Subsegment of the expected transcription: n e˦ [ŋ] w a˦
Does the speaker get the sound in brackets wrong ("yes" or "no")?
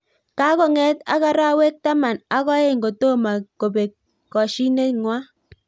no